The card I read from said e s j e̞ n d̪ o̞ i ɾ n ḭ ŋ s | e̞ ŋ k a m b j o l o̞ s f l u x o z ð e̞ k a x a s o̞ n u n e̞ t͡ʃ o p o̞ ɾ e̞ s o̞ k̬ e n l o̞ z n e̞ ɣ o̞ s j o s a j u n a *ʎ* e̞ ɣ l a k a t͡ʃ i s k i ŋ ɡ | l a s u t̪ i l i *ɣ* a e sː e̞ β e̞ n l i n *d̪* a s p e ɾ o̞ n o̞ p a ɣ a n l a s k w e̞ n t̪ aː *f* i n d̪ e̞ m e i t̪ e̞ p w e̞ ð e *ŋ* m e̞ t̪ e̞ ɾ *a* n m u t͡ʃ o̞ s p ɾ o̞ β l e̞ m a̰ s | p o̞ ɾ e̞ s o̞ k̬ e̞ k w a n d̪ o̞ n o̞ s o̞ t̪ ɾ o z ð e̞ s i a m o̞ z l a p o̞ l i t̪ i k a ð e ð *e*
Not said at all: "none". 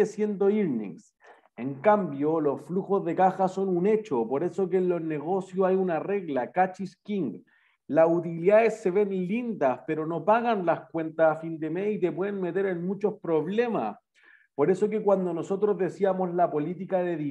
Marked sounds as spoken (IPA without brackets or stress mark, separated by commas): r, ð, d̪, f, n, e, i